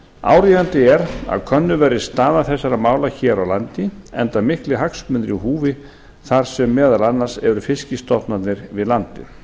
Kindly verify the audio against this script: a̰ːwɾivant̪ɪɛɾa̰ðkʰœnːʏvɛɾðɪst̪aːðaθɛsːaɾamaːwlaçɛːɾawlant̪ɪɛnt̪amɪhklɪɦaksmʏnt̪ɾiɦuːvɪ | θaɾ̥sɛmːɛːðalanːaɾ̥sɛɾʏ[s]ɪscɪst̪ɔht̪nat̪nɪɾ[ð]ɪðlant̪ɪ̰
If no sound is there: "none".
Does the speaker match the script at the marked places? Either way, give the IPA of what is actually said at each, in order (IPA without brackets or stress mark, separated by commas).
f, v